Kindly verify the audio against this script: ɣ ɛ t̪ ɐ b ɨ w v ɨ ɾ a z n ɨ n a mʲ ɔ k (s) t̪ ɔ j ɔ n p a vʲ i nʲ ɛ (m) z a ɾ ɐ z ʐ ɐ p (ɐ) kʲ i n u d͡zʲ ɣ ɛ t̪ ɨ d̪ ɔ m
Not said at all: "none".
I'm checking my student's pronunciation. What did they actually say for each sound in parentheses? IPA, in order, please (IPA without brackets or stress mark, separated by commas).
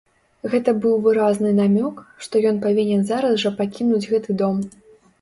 ʂ, n, a